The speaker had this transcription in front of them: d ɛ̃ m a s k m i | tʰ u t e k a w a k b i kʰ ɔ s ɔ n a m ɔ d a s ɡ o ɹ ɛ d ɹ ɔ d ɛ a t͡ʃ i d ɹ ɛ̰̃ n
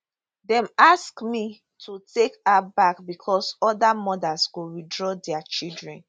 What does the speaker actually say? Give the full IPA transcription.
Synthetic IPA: d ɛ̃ m a s k m i | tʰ u t e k a b a k b i kʰ ɔ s ɔ d a m ɔ d a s ɡ o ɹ i d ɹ ɔ d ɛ a t͡ʃ i d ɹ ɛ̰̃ n